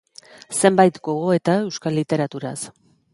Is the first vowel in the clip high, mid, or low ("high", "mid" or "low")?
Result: mid